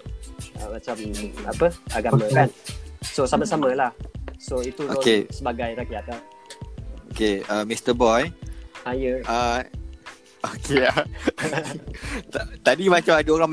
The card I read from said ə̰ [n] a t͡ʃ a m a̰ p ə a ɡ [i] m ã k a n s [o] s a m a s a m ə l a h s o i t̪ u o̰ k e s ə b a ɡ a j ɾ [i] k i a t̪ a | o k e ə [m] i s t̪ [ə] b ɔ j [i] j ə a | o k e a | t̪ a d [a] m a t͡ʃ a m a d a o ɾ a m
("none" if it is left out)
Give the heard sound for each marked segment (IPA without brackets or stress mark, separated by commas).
m, a, o, a, m, ə, a, i